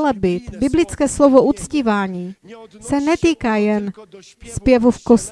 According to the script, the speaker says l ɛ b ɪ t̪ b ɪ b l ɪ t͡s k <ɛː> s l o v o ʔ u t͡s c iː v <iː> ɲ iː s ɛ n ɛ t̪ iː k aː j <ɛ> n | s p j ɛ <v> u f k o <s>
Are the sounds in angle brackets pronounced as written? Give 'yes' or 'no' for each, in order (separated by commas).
yes, no, yes, yes, yes